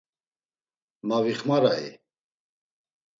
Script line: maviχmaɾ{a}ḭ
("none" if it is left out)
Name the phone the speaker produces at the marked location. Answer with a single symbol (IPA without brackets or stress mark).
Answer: a